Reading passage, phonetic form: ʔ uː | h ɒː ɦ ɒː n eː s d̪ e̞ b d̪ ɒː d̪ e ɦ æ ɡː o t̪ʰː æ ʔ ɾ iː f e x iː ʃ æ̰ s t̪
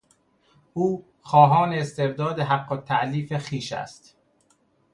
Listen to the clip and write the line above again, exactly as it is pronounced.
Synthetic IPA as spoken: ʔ uː | x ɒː ɦ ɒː n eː s t̪ e̞ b d̪ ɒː d̪ e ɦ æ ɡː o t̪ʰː æ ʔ l iː f e x iː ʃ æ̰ s t̪